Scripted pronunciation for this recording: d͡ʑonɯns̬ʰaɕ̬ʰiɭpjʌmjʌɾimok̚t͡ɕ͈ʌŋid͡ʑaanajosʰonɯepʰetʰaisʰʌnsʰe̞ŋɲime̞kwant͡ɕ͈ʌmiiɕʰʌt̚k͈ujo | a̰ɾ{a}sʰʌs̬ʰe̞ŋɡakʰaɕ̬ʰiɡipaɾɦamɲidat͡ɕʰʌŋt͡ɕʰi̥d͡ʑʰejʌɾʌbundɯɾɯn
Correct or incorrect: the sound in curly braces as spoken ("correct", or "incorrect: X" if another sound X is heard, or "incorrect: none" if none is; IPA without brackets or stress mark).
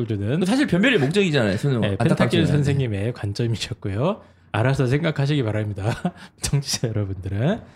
correct